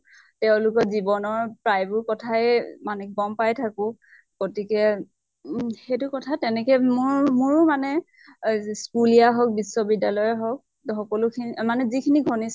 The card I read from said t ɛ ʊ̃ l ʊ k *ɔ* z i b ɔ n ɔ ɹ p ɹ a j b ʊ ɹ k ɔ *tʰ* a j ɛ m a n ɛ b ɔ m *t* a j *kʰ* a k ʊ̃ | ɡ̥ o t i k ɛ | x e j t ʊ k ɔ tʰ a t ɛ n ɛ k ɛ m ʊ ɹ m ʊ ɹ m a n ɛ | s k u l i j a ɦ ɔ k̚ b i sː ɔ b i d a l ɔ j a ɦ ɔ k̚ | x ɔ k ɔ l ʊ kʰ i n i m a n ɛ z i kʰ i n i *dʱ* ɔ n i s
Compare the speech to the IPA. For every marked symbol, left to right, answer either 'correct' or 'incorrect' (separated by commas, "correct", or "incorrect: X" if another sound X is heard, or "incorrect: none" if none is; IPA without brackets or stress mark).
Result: correct, correct, incorrect: p, incorrect: tʰ, incorrect: ɡʱ